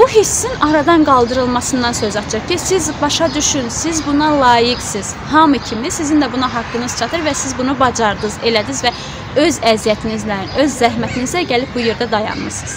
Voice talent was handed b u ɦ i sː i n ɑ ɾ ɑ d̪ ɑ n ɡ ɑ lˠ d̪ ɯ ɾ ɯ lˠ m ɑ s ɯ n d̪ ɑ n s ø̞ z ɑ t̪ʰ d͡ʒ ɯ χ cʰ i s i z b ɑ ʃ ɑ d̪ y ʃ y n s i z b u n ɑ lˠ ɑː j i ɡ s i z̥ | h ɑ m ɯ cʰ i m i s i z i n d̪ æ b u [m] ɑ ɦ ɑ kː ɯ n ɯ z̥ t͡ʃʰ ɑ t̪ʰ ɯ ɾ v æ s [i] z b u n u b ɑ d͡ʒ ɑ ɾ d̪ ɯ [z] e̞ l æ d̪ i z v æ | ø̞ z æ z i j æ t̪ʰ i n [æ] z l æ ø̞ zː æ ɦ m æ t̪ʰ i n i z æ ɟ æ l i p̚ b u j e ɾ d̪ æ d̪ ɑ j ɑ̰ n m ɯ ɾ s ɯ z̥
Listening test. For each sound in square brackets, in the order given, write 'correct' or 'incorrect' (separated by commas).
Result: incorrect, correct, correct, incorrect